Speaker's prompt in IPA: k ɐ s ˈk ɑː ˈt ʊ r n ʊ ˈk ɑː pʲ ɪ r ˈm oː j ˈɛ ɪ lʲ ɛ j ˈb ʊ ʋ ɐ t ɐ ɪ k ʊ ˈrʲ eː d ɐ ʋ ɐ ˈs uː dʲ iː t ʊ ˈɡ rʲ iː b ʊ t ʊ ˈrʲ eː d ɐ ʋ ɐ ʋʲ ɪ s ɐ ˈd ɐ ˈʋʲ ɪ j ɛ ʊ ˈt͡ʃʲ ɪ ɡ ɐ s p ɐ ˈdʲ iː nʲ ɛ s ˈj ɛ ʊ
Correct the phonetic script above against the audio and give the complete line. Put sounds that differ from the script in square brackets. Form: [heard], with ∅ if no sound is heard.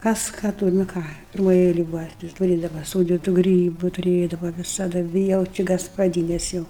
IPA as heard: k ɐ s ˈk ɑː ˈt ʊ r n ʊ ˈk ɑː pʲ ɪ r ˈm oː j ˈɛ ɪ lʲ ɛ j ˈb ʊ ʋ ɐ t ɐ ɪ [t] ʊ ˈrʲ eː d ɐ ʋ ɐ ˈs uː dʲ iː t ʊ ˈɡ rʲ iː b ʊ t ʊ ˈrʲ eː d ɐ ʋ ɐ ʋʲ ɪ s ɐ ˈd ɐ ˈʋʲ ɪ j ɛ ʊ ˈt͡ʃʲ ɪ ɡ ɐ s p ɐ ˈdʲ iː nʲ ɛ s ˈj ɛ ʊ